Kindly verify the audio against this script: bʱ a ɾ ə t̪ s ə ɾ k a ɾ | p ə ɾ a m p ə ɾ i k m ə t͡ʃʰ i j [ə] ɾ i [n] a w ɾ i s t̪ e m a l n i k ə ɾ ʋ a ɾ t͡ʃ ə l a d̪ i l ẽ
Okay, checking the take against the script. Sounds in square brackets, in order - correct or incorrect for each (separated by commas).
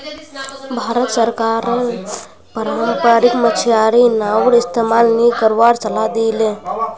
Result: incorrect, correct